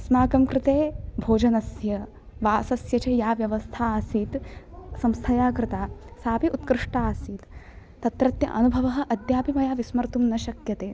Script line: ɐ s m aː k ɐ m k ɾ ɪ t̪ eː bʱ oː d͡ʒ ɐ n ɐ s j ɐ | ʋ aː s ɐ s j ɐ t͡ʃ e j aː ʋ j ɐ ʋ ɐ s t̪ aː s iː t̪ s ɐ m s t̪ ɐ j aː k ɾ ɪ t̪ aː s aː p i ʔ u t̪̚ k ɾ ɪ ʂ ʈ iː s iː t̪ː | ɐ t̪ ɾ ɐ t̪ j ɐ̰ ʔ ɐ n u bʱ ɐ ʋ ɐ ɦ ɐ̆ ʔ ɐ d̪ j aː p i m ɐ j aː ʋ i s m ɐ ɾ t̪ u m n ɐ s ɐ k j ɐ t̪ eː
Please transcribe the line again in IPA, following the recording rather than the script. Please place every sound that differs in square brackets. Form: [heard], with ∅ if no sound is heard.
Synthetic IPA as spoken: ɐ s m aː k ɐ m k ɾ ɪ t̪ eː bʱ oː d͡ʒ ɐ n ɐ s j ɐ | ʋ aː s ɐ s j ɐ t͡ʃ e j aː ʋ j ɐ ʋ ɐ s [t̪ʰ] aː s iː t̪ s ɐ m s [t̪ʰ] ɐ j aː k ɾ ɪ t̪ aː s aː p i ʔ u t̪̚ k ɾ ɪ ʂ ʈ [aː] s iː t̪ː | ɐ t̪ ɾ ɐ t̪ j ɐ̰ ʔ ɐ n u bʱ ɐ ʋ ɐ ɦ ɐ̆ ʔ ɐ d̪ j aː p i m ɐ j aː ʋ i s m ɐ ɾ t̪ u m n ɐ [ʃ] ɐ k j ɐ t̪ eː